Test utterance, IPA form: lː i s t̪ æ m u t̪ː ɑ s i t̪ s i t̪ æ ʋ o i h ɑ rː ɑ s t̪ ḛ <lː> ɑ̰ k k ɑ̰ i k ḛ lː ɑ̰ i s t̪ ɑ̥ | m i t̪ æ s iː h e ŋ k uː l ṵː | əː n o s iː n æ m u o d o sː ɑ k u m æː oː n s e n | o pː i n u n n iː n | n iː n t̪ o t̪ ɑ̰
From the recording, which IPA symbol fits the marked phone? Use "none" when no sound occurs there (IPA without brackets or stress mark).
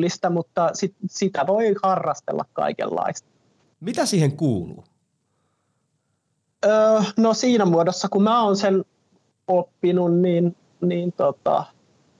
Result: lː